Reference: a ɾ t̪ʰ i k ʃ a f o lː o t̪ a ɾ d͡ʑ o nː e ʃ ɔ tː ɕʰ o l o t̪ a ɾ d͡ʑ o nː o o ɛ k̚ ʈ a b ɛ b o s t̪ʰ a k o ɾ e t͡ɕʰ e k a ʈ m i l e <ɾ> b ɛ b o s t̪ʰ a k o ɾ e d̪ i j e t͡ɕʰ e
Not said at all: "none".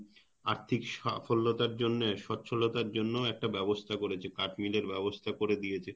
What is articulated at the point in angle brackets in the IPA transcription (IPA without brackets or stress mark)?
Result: ɾ